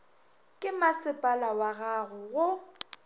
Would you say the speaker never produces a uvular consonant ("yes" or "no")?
yes